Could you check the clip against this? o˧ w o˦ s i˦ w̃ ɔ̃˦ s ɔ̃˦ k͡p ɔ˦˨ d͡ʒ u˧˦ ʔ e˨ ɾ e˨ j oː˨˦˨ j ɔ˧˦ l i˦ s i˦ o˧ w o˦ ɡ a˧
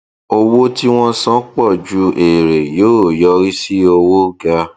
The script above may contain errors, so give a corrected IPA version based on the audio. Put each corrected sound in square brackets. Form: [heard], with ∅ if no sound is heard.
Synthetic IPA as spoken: o˧ w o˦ [t] i˦ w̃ ɔ̃˦ s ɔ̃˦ k͡p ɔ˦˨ d͡ʒ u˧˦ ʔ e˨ ɾ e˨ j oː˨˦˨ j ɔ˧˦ [ɾ] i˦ s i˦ o˧ w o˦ ɡ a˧